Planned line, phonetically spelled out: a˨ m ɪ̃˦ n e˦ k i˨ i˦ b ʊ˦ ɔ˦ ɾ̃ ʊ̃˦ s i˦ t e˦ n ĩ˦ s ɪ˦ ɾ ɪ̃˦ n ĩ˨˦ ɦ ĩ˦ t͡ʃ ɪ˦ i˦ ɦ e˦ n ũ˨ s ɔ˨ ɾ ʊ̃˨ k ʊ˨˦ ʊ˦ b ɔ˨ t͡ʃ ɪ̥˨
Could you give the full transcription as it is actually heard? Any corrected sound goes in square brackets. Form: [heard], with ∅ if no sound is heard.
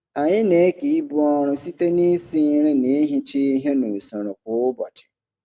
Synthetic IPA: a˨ [ɲ] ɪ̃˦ n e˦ k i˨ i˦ b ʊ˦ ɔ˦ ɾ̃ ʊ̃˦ s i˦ t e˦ n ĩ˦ s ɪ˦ ɾ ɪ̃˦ n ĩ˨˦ ɦ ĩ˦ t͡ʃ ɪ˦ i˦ ɦ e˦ n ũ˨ s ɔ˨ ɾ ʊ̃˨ k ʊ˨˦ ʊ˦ b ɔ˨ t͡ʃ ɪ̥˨

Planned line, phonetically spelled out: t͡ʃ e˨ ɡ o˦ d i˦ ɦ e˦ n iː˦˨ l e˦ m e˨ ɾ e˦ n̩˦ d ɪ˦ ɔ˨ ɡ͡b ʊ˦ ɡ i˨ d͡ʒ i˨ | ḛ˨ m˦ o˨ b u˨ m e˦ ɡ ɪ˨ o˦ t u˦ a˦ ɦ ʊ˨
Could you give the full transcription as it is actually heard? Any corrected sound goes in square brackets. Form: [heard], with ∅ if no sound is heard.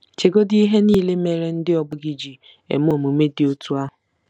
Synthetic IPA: t͡ʃ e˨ ɡ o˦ d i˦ ɦ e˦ n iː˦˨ l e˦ m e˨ ɾ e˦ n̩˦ d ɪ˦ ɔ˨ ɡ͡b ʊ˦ ɡ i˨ d͡ʒ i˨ | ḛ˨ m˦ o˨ [m] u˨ m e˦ [d] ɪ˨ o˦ t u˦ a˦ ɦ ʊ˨

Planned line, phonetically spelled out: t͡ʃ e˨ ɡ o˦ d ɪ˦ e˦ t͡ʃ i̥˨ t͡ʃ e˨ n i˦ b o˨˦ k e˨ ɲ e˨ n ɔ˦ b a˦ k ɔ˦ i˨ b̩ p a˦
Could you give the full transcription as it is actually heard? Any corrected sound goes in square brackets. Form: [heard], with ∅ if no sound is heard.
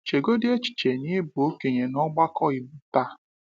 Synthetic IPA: t͡ʃ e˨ ɡ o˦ d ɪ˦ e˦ t͡ʃ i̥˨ t͡ʃ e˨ n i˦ b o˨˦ k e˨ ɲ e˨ n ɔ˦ [ɡ͡b] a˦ k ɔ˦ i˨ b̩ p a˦

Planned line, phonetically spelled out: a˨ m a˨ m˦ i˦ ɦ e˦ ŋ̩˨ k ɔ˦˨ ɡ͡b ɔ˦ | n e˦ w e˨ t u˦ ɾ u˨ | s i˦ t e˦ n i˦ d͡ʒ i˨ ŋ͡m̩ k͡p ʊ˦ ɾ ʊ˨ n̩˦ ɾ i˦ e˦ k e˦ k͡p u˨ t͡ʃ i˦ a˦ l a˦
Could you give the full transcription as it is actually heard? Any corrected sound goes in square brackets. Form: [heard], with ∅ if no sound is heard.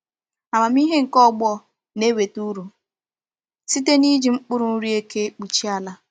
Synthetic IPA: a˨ m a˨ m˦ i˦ ɦ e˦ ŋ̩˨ k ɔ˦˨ ɡ͡b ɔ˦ | n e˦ w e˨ t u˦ ɾ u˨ | s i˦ t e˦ n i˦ d͡ʒ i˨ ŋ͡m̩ k͡p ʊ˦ ɾ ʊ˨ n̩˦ ɾ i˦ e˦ k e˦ k͡p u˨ t͡ʃ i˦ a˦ l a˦

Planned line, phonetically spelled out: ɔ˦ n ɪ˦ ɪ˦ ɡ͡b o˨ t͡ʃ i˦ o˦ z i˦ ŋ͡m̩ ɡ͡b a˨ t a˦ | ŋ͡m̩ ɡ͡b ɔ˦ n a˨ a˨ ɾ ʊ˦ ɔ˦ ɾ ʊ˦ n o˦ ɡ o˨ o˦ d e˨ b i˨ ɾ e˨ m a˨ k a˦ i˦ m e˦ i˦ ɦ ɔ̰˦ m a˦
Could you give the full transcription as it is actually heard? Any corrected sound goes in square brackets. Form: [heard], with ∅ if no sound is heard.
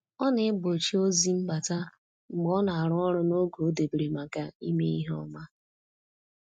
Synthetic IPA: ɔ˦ n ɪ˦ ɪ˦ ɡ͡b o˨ t͡ʃ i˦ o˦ z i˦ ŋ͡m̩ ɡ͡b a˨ t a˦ | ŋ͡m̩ ɡ͡b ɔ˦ n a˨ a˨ ɾ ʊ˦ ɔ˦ ɾ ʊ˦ n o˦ ɡ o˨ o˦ d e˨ b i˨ ɾ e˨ m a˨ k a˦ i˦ m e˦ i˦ ɦ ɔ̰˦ m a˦

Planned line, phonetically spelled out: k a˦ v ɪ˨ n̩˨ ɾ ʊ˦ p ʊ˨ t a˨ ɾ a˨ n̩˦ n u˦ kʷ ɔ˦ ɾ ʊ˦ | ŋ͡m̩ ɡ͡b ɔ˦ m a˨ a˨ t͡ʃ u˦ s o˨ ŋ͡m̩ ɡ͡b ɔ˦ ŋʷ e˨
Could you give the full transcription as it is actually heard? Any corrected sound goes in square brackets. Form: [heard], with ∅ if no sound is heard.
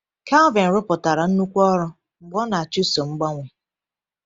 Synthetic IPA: k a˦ v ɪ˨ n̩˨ ɾ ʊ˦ p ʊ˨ t a˨ ɾ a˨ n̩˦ n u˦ kʷ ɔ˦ ɾ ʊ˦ | ŋ͡m̩ ɡ͡b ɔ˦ [n] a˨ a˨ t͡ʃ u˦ s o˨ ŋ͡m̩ ɡ͡b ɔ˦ ŋʷ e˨

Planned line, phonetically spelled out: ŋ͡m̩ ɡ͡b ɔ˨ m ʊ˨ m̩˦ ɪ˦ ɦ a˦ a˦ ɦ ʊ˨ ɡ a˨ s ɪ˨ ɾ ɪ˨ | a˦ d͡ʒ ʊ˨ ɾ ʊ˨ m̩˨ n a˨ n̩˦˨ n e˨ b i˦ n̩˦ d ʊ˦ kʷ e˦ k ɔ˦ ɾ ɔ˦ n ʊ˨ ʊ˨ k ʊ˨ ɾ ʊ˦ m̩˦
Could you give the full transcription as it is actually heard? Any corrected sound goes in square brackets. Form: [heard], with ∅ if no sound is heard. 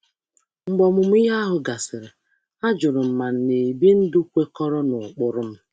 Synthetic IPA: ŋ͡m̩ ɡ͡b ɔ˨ m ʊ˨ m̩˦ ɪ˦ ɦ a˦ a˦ ɦ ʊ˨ ɡ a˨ s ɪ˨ ɾ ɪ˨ | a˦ d͡ʒ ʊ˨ ɾ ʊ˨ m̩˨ [m] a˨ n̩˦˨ n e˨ b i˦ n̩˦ d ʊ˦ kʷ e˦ k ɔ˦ ɾ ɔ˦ n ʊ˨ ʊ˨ [k͡p] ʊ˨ ɾ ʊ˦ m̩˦

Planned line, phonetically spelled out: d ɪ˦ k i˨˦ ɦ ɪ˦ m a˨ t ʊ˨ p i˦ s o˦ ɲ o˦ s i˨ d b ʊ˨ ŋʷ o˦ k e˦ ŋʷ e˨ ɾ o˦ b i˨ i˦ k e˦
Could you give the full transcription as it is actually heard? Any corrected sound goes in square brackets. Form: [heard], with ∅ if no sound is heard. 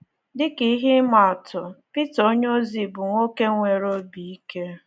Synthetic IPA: d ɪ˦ k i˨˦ ɦ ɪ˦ m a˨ t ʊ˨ p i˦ [t] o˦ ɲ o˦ [z] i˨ [∅] b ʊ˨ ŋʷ o˦ k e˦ ŋʷ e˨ ɾ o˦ b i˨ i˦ k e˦

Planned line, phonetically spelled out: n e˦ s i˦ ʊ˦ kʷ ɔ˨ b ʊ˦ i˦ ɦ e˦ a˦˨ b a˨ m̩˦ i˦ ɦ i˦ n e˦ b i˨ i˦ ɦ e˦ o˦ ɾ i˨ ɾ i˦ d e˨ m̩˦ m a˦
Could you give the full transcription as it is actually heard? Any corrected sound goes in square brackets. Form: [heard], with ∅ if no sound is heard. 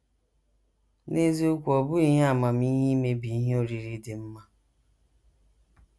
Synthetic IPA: n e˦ [z] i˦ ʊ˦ kʷ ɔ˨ b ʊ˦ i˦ ɦ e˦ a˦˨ [m] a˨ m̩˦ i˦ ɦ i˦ [m] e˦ b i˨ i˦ ɦ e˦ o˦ ɾ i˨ ɾ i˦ d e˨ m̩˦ m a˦

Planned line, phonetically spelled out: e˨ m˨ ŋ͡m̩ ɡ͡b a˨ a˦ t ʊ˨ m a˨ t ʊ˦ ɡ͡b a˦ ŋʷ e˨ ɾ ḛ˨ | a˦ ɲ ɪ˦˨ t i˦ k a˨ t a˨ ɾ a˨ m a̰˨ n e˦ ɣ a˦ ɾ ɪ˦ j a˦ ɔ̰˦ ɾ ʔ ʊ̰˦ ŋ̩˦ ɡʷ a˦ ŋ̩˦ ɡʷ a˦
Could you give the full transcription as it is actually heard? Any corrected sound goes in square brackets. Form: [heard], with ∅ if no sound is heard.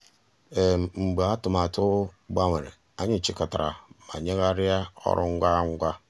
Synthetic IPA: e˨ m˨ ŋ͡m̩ ɡ͡b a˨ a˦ t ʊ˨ m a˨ t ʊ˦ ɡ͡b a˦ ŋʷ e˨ ɾ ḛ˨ | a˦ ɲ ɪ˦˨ [t͡ʃ] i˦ k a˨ t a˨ ɾ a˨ m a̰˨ [ɲ] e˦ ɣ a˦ ɾ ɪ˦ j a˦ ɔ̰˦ ɾ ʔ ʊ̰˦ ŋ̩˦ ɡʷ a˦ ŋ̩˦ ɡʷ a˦

